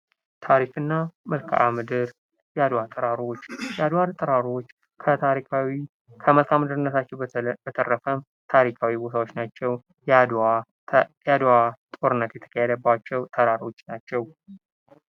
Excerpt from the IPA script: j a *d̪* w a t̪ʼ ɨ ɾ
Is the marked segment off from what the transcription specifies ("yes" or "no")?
no